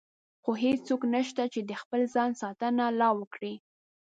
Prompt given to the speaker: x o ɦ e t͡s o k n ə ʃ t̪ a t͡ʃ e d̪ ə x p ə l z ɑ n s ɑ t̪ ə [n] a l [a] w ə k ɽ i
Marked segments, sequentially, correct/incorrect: correct, incorrect: ɑ

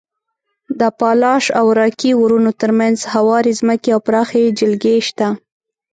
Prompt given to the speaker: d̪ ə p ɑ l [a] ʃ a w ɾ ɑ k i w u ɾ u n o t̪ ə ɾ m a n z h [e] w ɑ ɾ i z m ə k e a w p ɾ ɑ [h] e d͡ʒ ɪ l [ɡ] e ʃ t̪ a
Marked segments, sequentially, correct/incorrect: incorrect: ɑ, incorrect: a, incorrect: x, correct

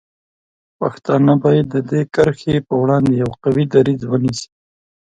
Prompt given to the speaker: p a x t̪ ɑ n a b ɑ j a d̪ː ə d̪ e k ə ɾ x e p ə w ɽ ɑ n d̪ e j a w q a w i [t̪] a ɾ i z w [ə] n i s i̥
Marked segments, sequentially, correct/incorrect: incorrect: d̪, correct

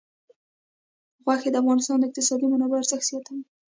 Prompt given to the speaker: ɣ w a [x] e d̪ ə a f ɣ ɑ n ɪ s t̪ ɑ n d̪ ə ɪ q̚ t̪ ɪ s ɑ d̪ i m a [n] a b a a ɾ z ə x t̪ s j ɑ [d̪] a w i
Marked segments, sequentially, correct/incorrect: correct, correct, incorrect: t̪

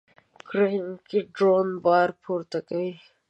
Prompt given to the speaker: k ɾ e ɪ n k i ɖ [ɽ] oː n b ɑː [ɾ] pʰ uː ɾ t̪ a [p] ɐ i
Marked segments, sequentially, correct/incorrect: incorrect: ɾ, correct, incorrect: k

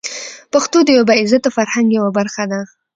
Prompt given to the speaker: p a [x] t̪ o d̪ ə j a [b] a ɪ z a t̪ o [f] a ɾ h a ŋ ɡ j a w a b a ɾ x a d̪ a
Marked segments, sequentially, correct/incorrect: correct, correct, correct

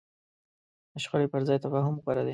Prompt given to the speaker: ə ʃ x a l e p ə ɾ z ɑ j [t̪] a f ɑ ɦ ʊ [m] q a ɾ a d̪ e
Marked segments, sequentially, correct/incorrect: correct, correct

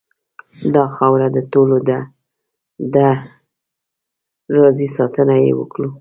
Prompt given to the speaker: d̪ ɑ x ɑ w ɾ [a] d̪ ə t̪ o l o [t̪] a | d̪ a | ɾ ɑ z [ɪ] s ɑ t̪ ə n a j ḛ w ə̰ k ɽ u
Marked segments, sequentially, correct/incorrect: correct, incorrect: d̪, incorrect: i

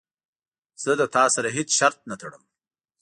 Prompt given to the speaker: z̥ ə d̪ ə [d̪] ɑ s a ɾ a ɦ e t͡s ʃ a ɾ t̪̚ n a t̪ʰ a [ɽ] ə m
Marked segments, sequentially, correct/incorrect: incorrect: t̪, correct

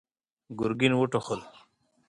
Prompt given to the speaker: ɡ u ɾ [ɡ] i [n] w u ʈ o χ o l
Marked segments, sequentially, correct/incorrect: correct, correct

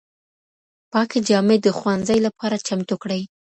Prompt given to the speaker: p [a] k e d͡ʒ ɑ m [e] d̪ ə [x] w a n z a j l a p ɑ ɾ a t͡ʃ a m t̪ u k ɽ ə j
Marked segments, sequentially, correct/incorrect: incorrect: ɑ, correct, correct

